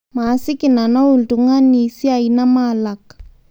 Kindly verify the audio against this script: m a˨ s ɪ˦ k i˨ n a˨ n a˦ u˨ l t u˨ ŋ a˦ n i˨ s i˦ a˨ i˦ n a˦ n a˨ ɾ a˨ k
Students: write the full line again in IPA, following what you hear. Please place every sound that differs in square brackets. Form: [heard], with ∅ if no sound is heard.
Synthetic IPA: m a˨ s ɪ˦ k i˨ n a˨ n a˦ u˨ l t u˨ ŋ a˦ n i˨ s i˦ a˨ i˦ n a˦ [m] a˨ [l] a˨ k